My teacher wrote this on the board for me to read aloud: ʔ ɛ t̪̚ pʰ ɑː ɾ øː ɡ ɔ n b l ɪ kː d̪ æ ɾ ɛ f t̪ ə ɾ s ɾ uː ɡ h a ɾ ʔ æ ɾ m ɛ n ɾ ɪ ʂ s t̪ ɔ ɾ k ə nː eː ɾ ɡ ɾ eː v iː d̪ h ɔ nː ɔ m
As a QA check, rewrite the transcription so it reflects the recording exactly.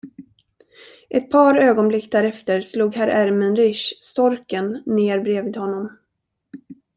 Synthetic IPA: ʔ ɛ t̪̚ pʰ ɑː ɾ øː ɡ ɔ n b l ɪ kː d̪ æ ɾ ɛ f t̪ ə ɾ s l uː ɡ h æ ɾ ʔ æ ɾ m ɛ n ɾ ɪ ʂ s t̪ ɔ ɾ k ə nː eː ɾ b ɾ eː v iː d̪ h ɔ nː ɔ m